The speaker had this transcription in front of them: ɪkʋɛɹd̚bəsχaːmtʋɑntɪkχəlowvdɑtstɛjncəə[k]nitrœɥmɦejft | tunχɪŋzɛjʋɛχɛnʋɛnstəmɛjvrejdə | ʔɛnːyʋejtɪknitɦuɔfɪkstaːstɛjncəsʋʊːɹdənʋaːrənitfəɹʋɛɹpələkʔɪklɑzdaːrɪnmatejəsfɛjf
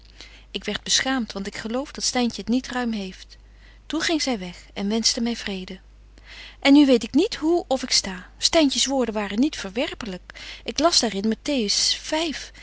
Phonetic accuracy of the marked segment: incorrect: t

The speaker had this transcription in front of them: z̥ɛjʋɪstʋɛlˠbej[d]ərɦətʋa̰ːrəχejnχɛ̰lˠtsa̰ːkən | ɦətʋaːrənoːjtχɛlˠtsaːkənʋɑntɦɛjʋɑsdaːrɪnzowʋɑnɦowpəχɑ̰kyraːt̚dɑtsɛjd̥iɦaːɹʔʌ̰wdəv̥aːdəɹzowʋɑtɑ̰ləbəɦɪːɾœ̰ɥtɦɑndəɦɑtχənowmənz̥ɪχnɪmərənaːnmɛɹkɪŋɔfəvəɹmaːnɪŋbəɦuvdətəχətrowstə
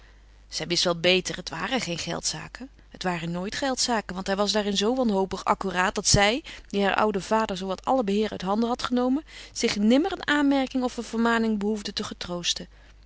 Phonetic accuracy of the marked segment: incorrect: t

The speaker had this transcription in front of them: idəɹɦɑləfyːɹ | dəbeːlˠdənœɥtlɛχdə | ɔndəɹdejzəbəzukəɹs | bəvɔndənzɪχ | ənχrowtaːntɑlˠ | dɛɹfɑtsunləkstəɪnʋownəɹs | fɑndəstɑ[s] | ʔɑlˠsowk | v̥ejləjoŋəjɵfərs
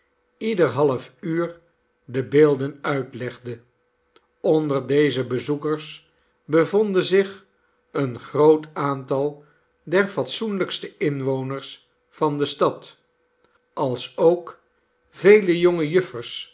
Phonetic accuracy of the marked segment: incorrect: t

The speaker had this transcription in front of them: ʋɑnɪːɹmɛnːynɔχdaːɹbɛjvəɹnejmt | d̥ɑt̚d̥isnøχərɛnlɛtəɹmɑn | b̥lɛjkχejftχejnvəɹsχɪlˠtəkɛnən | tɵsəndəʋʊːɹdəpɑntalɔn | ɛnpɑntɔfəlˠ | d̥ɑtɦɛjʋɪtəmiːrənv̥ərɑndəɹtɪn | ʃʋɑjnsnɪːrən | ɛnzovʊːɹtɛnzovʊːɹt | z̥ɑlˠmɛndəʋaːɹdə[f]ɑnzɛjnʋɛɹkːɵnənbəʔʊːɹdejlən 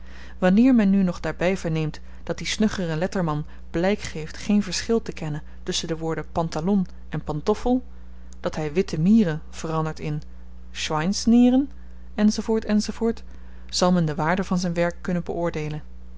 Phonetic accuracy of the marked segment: incorrect: v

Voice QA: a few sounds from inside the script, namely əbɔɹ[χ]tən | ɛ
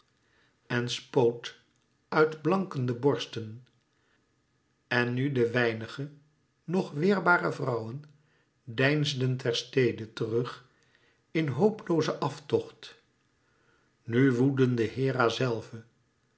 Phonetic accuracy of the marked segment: incorrect: s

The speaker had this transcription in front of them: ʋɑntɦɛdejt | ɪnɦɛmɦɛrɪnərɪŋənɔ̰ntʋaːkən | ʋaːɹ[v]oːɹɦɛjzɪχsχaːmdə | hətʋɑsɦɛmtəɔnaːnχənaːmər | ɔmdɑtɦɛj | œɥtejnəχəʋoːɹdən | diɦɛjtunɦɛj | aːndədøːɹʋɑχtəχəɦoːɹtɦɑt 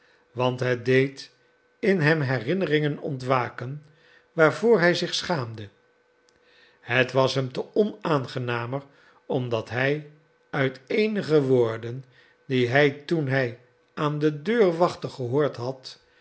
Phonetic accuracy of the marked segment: correct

